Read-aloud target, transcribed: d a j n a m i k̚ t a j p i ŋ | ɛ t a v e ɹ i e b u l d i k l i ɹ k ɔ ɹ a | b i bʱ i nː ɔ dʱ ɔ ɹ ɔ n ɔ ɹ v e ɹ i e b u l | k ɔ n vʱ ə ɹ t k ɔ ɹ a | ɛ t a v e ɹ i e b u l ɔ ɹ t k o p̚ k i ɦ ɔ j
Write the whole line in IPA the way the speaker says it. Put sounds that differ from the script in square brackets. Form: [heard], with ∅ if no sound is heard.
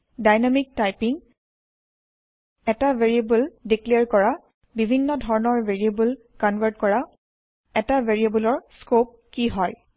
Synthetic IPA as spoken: d a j n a m i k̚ t a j p i ŋ | ɛ t a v e ɹ i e b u l d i k l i ɹ k ɔ ɹ a | b i bʱ i nː ɔ dʱ ɔ ɹ ɔ n ɔ ɹ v e ɹ i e b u l | k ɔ n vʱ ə ɹ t k ɔ ɹ a | ɛ t a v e ɹ i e b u l ɔ ɹ [s] k o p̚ k i ɦ ɔ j

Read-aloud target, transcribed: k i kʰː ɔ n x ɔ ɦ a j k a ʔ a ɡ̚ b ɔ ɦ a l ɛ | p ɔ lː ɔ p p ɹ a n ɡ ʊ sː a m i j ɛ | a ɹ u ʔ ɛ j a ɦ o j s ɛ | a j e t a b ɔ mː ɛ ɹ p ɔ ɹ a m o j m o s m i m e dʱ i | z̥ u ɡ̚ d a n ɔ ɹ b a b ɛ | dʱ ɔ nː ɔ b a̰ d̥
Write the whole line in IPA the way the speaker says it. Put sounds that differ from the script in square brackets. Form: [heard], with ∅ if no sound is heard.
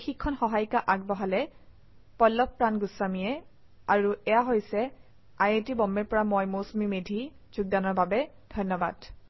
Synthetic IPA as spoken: [x] i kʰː ɔ n x ɔ ɦ a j k a ʔ a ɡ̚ b ɔ ɦ a l ɛ | p ɔ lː ɔ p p ɹ a n ɡ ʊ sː a m i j ɛ | a ɹ u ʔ ɛ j a ɦ o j s ɛ | a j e t [i] b ɔ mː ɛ ɹ p ɔ ɹ a m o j m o s m i m e dʱ i | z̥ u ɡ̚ d a n ɔ ɹ b a b ɛ | dʱ ɔ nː ɔ b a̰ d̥

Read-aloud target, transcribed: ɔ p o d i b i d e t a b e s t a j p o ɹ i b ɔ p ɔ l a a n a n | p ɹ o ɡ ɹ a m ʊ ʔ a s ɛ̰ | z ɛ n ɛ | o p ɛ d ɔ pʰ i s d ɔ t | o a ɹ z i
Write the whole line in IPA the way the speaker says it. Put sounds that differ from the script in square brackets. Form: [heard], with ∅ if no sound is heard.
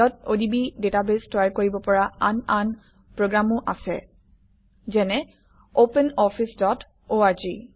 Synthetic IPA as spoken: ɔ [t] o d i b i d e t a b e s t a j [k] o ɹ i b ɔ p ɔ [ɹ] a a n a n | p ɹ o ɡ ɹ a m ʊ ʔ a s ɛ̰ | z ɛ n ɛ | o p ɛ [n] ɔ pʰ i s d ɔ t | o a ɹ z i

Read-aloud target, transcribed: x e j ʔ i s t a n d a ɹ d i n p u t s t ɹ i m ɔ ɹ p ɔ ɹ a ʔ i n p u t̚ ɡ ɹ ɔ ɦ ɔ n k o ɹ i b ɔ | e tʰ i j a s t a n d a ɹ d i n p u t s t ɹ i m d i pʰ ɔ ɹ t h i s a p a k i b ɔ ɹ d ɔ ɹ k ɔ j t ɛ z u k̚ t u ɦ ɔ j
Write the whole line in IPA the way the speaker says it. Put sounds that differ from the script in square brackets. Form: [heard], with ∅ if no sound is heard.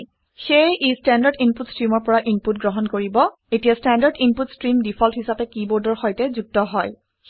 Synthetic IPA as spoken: x e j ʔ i s t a n d a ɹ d i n p u t s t ɹ i m ɔ ɹ p ɔ ɹ a ʔ i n p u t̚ ɡ ɹ ɔ ɦ ɔ n k o ɹ i b ɔ | e [t] i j a s t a n d a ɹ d i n p u t s t ɹ i m d i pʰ ɔ [l] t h i s a p [ɛ] k i b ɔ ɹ d ɔ ɹ [x] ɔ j t ɛ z u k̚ t [ɔ] ɦ ɔ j

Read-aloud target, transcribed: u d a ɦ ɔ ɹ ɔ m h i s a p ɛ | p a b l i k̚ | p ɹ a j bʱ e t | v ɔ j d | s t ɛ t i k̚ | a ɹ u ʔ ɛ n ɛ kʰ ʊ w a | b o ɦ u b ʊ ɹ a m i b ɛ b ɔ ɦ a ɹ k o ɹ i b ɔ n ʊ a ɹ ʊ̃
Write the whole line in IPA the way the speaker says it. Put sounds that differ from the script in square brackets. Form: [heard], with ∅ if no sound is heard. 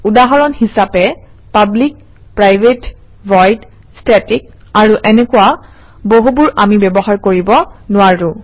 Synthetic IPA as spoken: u d a ɦ ɔ ɹ ɔ [n] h i s a p ɛ | p a b l i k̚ | p ɹ a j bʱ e t | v ɔ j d | s t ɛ t i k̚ | a ɹ u ʔ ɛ n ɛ [k] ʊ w a | b o ɦ u b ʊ ɹ a m i b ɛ b ɔ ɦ a ɹ k o ɹ i b ɔ n ʊ a ɹ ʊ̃

